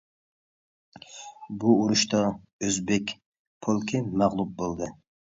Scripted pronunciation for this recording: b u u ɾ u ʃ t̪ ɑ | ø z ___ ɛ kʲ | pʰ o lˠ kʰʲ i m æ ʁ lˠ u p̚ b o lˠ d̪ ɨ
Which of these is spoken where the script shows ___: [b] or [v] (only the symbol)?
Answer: b